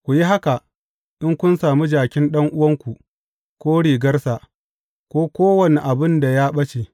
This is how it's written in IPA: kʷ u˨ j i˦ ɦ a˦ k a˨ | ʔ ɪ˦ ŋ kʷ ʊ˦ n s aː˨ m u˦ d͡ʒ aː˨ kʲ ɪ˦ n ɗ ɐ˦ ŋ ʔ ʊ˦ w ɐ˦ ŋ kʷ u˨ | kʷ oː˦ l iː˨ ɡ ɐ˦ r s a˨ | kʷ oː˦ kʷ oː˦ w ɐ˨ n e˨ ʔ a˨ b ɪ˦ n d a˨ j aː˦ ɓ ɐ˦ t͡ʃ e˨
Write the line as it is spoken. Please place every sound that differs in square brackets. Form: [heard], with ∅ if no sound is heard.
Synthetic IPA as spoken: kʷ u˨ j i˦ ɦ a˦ k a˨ | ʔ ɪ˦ ŋ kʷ ʊ˦ n s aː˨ m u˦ d͡ʒ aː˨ kʲ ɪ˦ n ɗ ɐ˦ ŋ ʔ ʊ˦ w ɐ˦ ŋ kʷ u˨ | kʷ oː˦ [ɽ] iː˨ ɡ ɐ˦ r s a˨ | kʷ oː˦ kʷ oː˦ w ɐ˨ n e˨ ʔ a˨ b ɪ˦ n d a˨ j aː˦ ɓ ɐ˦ t͡ʃ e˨